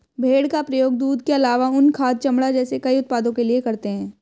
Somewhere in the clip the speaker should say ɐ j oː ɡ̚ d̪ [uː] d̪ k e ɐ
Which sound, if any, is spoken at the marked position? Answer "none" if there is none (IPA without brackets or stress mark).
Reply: uː